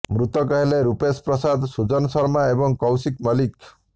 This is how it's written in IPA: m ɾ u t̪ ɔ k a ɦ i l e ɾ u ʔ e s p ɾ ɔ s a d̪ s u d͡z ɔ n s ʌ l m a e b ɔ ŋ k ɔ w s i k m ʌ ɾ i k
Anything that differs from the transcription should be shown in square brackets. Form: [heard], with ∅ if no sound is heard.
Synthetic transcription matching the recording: m ɾ u t̪ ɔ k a ɦ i l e ɾ u [p] e s p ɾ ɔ s a d̪ s u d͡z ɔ n s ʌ [ɾ] m a e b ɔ ŋ k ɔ w s i k m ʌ [l] i k